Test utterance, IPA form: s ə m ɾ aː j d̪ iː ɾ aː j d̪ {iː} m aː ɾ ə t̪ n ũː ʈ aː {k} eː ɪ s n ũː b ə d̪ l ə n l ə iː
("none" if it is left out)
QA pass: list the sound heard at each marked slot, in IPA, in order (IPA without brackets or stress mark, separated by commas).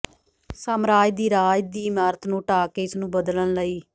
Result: iː, k